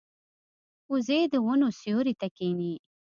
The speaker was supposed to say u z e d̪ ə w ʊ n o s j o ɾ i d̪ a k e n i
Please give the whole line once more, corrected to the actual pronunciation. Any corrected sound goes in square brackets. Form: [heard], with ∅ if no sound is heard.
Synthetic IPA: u z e d̪ ə w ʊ n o s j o ɾ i [t̪] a k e n i